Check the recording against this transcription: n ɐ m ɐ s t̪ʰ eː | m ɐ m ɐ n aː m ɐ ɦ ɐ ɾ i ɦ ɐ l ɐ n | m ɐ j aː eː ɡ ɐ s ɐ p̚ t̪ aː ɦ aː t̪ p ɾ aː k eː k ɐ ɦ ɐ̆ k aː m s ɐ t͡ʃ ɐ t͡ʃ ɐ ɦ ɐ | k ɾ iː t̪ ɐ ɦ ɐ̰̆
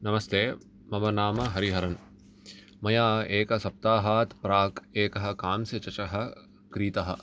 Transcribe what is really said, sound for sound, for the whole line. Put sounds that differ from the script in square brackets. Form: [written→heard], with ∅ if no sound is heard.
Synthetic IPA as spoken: n ɐ m ɐ s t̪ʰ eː | m ɐ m ɐ n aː m ɐ ɦ ɐ ɾ i ɦ ɐ [l→ɾ] ɐ n | m ɐ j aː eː [ɡ→k] ɐ s ɐ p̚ t̪ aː ɦ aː t̪ p ɾ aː k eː k ɐ ɦ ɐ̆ k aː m s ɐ t͡ʃ ɐ t͡ʃ ɐ ɦ ɐ | k ɾ iː t̪ ɐ ɦ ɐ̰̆